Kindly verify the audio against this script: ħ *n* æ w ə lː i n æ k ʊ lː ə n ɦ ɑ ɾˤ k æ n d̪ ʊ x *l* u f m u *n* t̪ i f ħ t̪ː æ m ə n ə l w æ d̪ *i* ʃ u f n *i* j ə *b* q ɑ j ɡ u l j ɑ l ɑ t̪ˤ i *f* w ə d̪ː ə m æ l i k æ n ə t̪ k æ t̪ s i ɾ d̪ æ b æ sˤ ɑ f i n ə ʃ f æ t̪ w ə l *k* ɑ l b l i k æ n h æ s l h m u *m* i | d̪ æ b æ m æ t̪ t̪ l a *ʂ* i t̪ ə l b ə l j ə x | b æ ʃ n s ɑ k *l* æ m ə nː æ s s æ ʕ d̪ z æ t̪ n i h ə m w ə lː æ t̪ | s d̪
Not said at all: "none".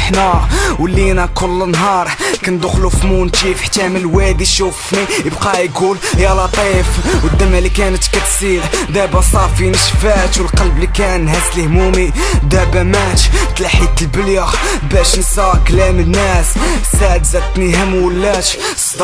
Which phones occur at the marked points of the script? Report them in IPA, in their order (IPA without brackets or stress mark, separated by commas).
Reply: n, l, n, i, i, b, f, q, m, ħ, l